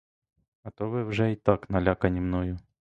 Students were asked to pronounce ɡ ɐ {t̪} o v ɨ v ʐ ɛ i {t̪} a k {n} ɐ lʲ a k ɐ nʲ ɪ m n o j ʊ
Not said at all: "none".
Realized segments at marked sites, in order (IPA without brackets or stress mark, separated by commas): t̪, t̪, n